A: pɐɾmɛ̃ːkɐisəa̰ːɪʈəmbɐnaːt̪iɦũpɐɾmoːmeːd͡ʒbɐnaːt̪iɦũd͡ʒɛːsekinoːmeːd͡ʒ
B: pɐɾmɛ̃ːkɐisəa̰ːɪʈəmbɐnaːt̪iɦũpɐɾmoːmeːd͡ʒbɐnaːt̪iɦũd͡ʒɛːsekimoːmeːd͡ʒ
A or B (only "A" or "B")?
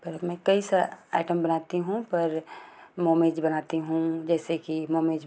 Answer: B